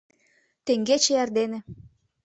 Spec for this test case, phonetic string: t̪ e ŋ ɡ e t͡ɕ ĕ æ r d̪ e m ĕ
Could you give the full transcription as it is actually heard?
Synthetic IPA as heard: t̪ e ŋ ɡ e t͡ɕ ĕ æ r d̪ e n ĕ